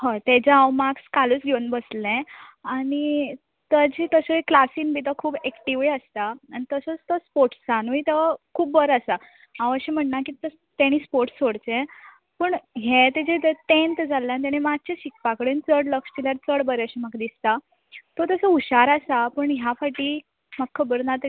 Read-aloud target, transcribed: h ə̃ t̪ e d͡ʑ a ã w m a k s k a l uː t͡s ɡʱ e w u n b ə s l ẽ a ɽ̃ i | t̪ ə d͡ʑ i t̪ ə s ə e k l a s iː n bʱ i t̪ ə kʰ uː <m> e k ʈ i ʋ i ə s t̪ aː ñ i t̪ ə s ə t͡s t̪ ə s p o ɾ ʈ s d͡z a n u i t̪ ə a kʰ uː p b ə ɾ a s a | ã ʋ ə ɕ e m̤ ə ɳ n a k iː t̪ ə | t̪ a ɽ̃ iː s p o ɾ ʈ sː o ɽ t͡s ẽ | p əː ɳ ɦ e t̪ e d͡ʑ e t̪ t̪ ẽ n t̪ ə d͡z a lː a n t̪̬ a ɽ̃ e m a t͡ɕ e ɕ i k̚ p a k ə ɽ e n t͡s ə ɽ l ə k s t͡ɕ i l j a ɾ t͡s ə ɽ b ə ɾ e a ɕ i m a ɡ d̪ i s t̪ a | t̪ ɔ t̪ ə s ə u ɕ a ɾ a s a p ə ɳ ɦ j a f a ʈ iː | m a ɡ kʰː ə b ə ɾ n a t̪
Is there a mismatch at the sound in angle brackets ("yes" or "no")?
yes